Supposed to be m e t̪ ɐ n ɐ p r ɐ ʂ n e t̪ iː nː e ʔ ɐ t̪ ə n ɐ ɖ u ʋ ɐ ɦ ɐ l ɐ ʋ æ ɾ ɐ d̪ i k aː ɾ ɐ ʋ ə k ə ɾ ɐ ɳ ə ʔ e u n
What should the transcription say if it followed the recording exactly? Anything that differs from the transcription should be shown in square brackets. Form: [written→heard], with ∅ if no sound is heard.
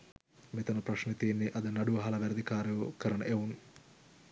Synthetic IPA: m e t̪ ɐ n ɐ p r ɐ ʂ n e t̪ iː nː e ʔ ɐ [t̪→d̪] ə n ɐ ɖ u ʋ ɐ ɦ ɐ l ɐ ʋ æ ɾ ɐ d̪ i k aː ɾ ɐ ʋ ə k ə ɾ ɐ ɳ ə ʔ e u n